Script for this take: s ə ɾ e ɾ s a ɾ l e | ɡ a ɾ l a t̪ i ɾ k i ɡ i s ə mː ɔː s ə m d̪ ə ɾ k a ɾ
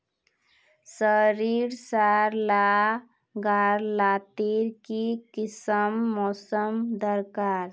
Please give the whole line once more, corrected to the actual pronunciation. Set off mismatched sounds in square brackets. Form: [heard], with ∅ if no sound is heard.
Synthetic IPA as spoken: s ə ɾ [i] ɾ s a ɾ l [a] | ɡ a ɾ l a t̪ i ɾ k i [k] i s ə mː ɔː s ə m d̪ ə ɾ k a ɾ